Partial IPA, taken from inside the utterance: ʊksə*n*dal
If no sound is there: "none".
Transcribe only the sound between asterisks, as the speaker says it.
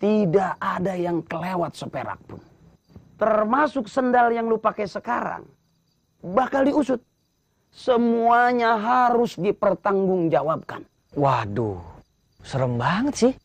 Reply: n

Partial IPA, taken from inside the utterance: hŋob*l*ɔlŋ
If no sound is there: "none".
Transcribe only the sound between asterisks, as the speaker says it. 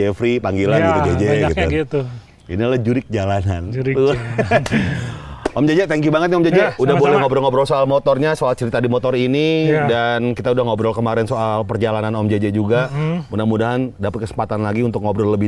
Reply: ɾ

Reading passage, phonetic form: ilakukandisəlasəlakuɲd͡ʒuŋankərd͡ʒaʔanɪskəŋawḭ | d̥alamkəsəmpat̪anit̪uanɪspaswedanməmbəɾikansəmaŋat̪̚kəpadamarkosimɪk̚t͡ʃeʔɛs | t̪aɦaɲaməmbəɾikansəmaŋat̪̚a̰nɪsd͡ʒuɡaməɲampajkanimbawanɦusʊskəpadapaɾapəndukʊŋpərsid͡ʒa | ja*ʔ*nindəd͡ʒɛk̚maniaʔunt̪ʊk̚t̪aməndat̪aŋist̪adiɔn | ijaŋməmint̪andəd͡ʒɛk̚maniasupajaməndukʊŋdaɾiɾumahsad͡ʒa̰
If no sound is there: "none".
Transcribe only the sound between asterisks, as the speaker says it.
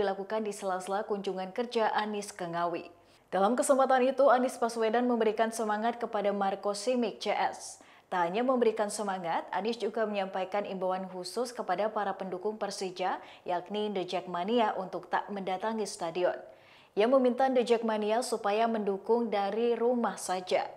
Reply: k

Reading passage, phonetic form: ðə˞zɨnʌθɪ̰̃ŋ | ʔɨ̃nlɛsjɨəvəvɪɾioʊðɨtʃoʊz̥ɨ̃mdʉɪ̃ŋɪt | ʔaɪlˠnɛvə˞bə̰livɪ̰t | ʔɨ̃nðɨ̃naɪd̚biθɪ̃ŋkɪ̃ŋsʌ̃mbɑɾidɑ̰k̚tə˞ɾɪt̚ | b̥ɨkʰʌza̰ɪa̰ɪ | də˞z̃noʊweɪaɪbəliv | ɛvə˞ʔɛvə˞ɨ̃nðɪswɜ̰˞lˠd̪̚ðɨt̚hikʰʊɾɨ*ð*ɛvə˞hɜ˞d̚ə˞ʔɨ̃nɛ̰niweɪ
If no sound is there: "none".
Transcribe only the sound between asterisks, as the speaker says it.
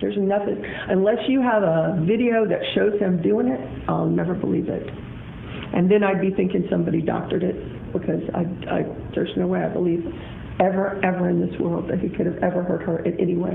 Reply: v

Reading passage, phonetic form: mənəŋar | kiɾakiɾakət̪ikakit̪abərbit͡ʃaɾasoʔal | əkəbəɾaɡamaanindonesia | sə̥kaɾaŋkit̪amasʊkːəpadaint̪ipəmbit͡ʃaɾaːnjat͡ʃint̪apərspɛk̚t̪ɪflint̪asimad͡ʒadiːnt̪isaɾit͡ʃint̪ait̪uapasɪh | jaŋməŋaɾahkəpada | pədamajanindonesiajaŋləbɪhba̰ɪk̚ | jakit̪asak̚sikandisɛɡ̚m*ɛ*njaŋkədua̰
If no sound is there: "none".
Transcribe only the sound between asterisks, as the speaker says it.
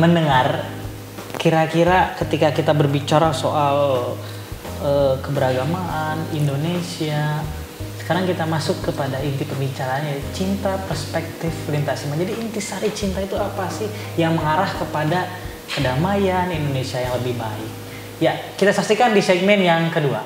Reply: ɛ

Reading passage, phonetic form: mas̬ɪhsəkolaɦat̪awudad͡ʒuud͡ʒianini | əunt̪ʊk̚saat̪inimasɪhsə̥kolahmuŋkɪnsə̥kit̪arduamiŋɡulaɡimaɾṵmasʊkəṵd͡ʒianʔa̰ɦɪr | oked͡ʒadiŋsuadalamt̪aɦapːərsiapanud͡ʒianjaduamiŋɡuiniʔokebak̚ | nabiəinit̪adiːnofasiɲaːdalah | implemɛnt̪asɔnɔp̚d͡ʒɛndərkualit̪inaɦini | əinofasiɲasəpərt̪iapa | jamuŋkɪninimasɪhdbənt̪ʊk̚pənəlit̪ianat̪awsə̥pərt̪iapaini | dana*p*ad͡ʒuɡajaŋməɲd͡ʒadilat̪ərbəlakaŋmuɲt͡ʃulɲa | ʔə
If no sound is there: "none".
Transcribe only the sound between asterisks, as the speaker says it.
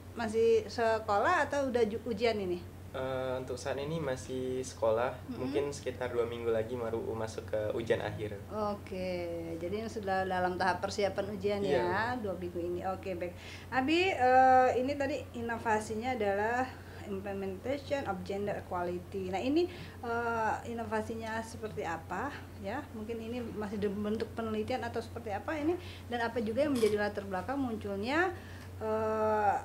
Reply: p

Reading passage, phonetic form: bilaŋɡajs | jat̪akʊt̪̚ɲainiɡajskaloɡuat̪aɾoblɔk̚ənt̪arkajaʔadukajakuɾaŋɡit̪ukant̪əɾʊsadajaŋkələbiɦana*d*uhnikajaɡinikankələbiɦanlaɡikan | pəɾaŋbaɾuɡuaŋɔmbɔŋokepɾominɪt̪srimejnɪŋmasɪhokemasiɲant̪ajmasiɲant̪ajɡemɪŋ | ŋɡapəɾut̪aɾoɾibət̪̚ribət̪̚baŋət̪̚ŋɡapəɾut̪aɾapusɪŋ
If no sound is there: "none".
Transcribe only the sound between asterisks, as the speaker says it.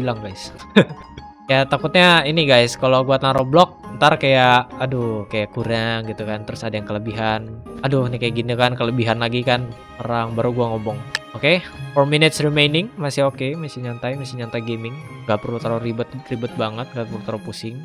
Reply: d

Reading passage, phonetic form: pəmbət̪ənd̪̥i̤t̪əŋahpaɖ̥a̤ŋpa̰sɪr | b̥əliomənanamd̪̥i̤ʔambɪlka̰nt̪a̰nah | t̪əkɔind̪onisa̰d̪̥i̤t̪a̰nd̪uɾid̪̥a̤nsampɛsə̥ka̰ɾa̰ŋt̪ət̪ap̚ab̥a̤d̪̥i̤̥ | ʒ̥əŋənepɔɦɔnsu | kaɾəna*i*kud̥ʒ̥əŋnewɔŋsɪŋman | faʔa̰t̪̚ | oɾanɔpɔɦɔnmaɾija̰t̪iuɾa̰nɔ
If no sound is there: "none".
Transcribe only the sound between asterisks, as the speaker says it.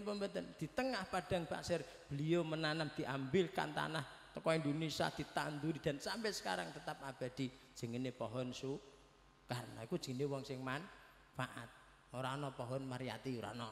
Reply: i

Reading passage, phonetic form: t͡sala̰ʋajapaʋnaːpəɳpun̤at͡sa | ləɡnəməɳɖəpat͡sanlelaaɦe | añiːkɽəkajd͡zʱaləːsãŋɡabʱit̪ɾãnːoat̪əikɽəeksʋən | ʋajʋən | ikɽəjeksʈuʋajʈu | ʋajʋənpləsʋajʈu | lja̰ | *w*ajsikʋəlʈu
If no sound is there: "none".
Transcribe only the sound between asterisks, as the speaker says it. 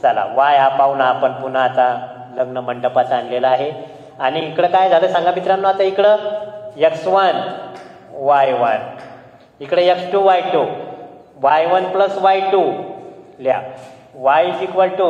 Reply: ʋ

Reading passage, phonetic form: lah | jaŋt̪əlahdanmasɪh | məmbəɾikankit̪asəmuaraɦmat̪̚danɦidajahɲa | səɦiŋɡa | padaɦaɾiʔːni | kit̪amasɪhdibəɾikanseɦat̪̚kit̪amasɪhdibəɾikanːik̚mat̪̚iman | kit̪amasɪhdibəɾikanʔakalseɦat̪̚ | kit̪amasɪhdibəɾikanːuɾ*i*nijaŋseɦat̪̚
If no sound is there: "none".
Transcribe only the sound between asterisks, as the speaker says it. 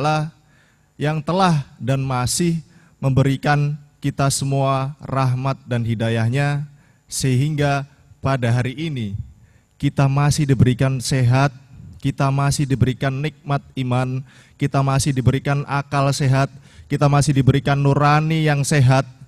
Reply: a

